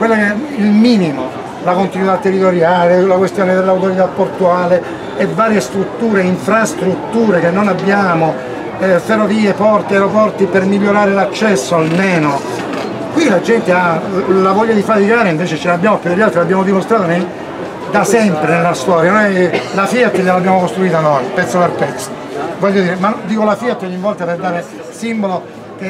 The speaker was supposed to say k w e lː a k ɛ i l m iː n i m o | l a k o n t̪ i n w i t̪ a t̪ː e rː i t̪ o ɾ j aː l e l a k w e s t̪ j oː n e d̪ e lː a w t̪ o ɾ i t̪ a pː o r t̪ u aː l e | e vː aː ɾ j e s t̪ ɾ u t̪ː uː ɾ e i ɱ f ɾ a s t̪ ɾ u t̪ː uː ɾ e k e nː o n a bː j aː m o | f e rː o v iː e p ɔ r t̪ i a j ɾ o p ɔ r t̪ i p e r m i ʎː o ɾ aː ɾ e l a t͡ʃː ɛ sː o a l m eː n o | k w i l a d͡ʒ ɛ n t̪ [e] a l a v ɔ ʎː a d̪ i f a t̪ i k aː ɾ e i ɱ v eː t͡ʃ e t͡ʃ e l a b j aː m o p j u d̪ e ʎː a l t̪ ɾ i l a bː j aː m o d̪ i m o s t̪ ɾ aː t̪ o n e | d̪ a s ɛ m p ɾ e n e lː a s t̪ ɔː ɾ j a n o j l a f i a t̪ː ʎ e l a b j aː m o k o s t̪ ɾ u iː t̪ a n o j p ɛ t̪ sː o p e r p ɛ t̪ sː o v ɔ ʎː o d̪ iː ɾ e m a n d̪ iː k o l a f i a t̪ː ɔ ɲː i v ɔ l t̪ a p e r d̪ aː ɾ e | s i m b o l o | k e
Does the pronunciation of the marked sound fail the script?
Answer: no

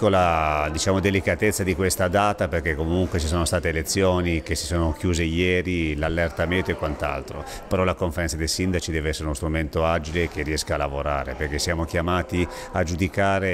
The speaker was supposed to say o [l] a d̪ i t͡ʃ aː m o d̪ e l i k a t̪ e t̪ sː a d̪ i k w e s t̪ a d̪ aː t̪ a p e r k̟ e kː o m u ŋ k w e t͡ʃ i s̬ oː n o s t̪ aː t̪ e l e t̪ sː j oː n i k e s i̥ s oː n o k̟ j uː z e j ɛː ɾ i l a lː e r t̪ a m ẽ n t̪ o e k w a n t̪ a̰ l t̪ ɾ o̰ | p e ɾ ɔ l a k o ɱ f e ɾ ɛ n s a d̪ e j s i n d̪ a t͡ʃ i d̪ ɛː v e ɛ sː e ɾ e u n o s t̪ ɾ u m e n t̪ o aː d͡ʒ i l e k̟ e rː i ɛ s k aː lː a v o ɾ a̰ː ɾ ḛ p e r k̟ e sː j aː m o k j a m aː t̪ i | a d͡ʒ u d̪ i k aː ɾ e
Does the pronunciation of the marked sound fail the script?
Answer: no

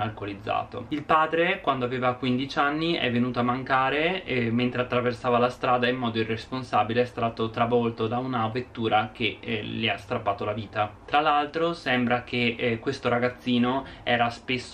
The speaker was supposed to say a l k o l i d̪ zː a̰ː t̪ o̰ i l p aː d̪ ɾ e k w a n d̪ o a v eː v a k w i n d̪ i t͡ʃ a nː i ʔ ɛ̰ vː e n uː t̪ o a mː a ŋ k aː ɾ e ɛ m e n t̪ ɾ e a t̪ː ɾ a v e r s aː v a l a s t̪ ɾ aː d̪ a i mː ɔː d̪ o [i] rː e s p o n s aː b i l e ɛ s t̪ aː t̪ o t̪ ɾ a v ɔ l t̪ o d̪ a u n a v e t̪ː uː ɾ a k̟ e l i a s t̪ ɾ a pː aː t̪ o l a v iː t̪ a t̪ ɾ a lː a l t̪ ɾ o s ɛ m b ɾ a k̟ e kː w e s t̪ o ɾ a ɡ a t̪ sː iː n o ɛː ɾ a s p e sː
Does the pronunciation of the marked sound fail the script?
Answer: no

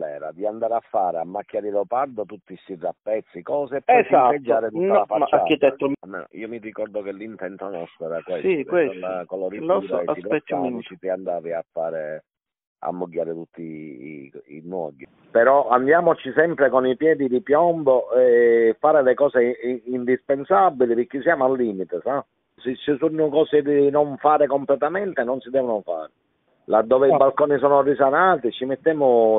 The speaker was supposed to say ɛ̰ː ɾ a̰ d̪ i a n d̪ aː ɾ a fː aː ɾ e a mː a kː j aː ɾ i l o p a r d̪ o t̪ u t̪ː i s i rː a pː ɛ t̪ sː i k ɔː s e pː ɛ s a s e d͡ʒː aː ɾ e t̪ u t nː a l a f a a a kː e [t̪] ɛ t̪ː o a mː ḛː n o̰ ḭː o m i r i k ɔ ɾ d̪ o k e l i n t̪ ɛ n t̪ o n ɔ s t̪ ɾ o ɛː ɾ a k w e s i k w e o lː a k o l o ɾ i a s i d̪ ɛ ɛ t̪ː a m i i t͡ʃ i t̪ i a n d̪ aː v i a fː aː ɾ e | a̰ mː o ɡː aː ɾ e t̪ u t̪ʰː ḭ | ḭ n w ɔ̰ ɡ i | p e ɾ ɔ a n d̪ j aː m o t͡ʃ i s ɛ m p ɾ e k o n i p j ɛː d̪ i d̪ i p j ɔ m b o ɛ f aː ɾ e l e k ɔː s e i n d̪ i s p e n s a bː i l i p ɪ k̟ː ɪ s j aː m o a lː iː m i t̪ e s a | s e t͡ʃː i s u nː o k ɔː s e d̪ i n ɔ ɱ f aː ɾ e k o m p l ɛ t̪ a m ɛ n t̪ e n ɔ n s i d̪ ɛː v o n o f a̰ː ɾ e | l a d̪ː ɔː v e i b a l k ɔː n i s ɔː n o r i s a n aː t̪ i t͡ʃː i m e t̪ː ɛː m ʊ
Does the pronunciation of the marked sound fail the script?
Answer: no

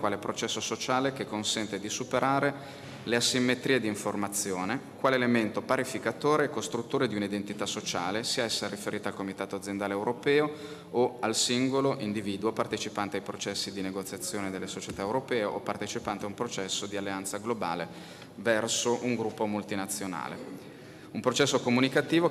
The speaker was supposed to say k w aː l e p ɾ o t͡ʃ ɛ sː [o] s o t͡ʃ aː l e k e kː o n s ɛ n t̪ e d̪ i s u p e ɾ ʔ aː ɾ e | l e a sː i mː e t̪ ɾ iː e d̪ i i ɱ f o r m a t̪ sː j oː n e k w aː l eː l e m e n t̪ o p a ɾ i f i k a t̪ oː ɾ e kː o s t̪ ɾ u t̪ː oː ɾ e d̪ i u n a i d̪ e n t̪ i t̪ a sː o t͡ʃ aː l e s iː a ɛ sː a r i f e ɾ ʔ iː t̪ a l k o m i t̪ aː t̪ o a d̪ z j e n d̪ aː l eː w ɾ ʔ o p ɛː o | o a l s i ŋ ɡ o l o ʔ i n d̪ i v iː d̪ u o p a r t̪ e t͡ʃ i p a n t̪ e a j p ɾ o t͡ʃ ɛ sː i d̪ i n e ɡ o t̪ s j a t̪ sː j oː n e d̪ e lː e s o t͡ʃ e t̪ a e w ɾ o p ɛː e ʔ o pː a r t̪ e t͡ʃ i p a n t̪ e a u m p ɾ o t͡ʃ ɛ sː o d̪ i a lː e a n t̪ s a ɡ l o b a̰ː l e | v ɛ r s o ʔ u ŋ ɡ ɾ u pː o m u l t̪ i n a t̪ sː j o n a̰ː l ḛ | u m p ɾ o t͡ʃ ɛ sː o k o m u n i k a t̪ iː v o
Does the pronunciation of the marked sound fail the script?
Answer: no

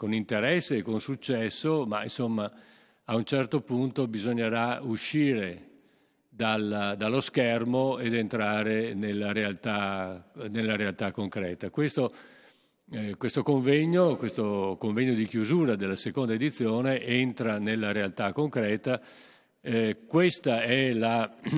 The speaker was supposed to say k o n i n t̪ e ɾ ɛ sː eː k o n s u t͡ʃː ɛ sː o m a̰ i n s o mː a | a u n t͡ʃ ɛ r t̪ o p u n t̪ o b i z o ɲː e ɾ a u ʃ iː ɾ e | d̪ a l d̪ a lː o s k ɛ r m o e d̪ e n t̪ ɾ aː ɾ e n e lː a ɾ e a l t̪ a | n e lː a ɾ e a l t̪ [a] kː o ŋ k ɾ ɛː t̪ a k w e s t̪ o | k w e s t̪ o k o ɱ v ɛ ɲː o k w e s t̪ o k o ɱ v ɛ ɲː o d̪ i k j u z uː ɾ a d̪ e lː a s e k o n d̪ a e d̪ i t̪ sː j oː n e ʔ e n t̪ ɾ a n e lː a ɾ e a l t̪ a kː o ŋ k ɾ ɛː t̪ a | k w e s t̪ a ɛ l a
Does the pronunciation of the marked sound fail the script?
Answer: no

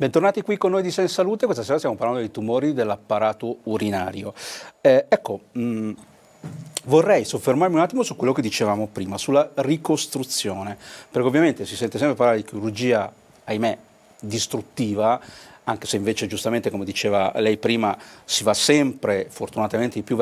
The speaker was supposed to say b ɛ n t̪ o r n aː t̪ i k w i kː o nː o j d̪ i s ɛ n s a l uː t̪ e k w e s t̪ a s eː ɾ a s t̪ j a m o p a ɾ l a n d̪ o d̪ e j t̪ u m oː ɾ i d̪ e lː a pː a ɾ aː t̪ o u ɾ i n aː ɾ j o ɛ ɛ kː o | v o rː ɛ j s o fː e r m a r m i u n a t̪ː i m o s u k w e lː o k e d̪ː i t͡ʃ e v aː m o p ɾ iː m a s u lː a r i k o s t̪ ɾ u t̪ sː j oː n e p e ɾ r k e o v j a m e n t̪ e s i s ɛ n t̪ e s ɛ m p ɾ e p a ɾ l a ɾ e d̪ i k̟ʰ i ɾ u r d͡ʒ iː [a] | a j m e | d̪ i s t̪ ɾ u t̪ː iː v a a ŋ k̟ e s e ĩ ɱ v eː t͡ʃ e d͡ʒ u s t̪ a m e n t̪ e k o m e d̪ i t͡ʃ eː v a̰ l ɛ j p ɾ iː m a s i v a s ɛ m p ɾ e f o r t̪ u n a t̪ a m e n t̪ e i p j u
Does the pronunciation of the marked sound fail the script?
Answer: no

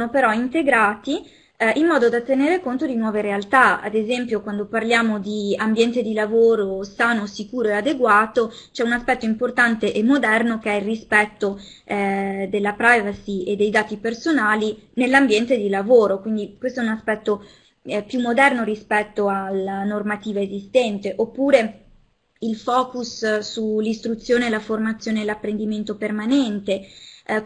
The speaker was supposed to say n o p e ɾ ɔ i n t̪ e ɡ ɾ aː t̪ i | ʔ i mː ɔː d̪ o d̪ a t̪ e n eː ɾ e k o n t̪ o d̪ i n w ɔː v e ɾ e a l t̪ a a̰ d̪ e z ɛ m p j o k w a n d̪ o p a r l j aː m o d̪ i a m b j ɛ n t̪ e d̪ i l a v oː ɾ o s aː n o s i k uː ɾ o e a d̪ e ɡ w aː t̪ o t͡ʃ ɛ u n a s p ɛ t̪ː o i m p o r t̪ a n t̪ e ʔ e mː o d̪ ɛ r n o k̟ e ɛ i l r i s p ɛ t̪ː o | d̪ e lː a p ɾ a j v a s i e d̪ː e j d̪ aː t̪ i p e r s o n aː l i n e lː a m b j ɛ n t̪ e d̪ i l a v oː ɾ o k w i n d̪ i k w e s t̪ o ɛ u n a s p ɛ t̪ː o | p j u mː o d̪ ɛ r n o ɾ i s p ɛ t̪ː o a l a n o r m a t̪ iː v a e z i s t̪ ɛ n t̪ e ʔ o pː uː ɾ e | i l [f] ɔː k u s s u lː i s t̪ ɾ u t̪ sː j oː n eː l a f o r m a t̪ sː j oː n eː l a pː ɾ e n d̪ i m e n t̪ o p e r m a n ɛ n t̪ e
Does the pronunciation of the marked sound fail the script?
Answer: no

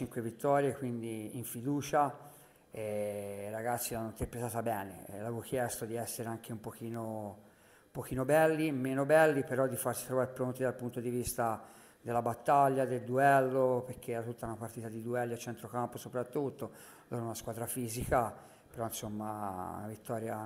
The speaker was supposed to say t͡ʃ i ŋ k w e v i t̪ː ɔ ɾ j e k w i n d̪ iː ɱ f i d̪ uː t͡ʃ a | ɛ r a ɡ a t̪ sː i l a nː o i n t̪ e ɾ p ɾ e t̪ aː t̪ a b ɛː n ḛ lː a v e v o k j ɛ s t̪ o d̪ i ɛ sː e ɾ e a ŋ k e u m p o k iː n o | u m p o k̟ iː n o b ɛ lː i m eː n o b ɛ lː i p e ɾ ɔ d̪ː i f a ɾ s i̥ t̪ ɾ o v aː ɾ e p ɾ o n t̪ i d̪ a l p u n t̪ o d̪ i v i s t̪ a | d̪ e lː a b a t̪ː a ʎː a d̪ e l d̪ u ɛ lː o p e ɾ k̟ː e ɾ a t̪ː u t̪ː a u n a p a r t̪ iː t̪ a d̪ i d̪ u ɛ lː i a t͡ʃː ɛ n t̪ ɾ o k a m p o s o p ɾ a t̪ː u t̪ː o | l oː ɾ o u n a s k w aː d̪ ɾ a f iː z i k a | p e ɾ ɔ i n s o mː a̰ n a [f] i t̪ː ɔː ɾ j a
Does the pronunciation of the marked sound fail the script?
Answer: yes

